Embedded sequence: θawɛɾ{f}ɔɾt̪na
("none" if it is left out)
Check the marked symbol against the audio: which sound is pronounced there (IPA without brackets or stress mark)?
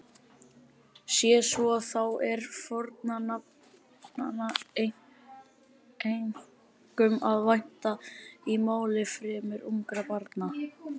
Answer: f